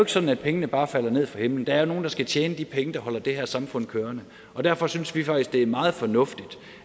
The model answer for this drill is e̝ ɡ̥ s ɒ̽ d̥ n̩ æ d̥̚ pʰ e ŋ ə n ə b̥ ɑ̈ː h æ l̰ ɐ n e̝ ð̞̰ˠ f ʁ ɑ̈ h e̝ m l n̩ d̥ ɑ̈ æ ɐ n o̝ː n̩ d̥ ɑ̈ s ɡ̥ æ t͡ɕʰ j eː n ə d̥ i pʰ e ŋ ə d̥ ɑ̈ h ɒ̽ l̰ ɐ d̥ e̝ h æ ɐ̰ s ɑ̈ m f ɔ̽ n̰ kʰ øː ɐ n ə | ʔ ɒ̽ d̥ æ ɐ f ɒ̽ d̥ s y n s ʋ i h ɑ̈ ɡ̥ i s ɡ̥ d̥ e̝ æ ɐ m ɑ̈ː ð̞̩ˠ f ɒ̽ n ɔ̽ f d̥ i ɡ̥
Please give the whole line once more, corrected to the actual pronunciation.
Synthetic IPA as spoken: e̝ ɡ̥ s ɒ̽ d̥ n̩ æ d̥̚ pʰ e ŋ ə n ə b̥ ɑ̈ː f æ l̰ ɐ n e̝ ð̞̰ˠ f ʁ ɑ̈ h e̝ m l n̩ d̥ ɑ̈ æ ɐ n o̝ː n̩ d̥ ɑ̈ s ɡ̥ æ t͡ɕʰ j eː n ə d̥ i pʰ e ŋ ə d̥ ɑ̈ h ɒ̽ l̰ ɐ d̥ e̝ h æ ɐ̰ s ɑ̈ m f ɔ̽ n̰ kʰ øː ɐ n ə | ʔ ɒ̽ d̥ æ ɐ f ɒ̽ s y n s ʋ i f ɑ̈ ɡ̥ i s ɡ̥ d̥ e̝ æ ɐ m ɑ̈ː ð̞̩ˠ f ɒ̽ n ɔ̽ f d̥ i d̥